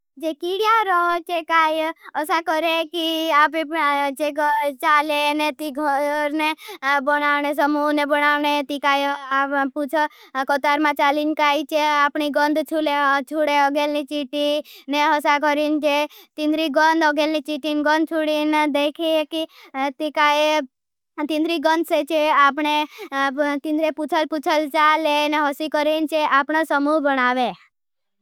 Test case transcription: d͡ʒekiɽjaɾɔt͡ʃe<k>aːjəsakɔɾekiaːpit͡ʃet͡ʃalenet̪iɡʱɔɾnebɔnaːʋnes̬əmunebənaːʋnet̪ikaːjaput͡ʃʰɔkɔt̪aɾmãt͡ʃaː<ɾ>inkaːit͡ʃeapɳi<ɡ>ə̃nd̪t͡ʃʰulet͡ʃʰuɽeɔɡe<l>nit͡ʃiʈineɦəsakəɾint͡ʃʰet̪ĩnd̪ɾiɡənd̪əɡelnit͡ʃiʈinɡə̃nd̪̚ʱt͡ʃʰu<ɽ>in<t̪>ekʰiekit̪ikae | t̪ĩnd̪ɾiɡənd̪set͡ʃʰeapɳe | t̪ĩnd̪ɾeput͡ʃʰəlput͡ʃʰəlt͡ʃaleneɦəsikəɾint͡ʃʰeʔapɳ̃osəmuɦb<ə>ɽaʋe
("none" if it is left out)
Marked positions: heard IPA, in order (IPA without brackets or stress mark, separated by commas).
k, l, ɡ, l, ɽ, d̪, ə